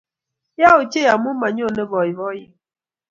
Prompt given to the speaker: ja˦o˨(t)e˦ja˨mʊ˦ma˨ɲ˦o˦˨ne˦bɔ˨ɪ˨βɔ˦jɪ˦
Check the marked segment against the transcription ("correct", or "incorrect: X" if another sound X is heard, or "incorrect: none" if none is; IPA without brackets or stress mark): incorrect: t͡ʃ